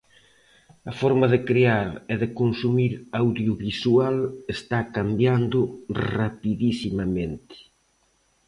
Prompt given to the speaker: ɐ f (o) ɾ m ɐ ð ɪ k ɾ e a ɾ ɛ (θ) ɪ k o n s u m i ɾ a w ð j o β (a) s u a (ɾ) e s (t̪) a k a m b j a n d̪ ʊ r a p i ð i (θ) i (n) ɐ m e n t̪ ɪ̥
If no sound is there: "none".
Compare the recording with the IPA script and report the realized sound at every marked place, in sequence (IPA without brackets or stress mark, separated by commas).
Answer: ɔ, ð, i, l, t̪, s, m